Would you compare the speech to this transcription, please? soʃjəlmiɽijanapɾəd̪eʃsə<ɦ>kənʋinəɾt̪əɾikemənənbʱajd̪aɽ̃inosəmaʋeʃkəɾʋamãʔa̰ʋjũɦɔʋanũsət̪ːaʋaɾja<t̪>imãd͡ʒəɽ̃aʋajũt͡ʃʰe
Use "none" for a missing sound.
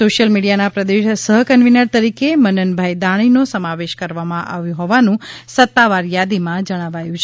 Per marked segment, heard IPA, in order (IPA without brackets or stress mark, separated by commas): ɦ, d̪